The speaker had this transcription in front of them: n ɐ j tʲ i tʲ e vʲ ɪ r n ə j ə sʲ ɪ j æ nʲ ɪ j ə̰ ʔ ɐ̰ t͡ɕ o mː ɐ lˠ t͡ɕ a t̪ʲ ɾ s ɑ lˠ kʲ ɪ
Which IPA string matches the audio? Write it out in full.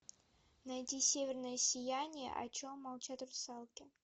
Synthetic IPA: n ɐ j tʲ i sʲ e vʲ ɪ r n ə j ə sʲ ɪ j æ nʲ ɪ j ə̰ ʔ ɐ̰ t͡ɕ o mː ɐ lˠ t͡ɕ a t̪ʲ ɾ s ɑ lˠ kʲ ɪ